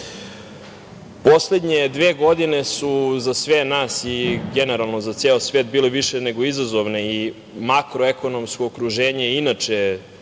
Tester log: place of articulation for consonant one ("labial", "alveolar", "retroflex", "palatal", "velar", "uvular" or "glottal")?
labial